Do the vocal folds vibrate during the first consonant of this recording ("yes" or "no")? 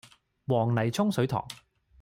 yes